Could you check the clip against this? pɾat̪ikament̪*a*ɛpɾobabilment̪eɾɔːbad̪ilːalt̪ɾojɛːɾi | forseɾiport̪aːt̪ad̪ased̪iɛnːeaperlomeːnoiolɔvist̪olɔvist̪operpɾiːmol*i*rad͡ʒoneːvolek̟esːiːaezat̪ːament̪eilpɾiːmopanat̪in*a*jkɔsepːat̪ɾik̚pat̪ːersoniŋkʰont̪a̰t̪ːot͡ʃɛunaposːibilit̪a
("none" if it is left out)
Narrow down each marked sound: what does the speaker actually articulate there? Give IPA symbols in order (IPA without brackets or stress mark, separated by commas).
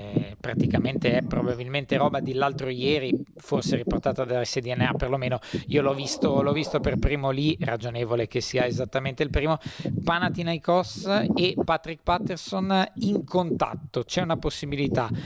e, i, a